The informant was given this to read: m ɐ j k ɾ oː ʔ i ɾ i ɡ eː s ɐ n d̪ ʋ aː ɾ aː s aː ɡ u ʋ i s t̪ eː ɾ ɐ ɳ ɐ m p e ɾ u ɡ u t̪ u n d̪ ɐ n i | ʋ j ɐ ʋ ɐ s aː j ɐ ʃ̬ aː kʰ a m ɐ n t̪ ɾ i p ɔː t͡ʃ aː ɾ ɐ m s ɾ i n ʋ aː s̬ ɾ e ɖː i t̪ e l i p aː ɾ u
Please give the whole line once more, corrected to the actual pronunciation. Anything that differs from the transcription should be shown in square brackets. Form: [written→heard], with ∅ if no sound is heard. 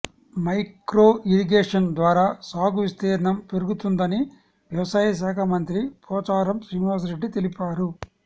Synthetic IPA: m ɐ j k ɾ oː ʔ i ɾ i ɡ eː [s→ʂ] ɐ n d̪ ʋ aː ɾ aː s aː ɡ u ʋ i s t̪ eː ɾ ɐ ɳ ɐ m p e ɾ u ɡ u t̪ u n d̪ ɐ n i | ʋ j ɐ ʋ ɐ s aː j ɐ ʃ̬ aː kʰ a m ɐ n t̪ ɾ i p ɔː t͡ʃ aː ɾ ɐ m s ɾ i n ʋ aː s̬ ɾ e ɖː i t̪ e l i p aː ɾ u